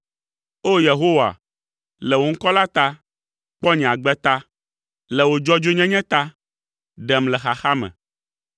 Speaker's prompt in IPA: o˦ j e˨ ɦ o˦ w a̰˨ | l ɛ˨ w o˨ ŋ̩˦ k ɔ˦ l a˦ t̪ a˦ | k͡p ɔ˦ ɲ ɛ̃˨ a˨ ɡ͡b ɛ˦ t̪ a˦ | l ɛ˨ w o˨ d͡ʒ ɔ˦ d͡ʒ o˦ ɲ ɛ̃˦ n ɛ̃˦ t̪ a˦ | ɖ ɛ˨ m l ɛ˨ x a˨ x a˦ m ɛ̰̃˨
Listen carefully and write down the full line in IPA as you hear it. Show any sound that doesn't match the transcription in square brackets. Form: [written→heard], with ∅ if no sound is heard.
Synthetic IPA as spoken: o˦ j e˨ ɦ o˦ w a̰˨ | l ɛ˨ w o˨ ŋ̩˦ k ɔ˦ l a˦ t̪ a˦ | k͡p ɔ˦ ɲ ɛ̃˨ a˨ ɡ͡b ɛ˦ t̪ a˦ | l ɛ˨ w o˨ d͡ʒ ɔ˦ d͡ʒ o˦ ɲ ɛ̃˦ [n→ɲ] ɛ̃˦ t̪ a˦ | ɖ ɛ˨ m l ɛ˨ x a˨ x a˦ m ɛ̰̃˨